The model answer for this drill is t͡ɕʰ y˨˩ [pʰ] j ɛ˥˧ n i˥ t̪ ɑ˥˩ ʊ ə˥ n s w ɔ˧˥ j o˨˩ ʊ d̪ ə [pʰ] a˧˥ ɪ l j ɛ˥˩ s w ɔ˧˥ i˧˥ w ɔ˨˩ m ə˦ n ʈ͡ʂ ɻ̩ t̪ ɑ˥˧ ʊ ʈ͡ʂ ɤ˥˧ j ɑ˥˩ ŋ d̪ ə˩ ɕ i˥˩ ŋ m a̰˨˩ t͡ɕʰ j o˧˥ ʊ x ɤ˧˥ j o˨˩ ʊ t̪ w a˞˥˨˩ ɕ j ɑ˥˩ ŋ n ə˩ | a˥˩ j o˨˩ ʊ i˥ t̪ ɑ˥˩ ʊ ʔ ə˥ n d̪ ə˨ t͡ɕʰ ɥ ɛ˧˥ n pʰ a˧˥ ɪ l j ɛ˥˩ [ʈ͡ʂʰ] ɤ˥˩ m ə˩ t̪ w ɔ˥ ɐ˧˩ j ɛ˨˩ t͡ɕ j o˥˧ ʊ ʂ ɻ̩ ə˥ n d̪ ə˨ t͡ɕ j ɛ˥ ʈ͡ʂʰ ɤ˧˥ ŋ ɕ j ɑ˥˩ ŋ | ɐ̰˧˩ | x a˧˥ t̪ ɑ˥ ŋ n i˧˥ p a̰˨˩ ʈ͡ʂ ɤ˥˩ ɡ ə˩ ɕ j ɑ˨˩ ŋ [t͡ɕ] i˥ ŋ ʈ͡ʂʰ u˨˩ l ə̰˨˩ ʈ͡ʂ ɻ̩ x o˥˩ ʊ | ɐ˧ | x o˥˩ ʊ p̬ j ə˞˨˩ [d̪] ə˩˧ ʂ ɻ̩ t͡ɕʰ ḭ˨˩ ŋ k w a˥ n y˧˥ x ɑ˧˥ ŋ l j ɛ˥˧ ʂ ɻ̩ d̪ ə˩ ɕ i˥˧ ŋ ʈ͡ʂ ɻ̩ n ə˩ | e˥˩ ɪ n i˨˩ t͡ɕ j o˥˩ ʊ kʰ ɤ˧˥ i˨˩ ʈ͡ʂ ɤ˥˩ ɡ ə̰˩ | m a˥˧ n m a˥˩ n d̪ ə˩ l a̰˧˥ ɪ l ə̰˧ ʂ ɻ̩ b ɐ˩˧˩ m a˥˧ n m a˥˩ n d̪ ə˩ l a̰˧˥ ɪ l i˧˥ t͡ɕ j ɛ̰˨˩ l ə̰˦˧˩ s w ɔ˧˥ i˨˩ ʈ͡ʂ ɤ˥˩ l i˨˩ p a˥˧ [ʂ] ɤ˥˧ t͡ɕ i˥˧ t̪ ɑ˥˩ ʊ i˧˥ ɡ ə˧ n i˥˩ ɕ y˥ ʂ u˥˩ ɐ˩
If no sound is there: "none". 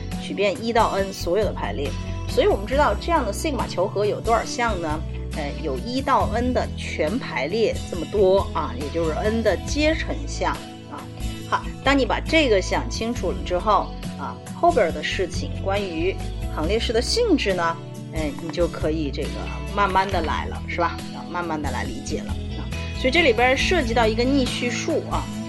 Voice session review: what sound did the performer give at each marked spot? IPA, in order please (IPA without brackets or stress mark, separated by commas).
p, pʰ, ʈ͡ʂ, t͡ɕʰ, d̪, ʂ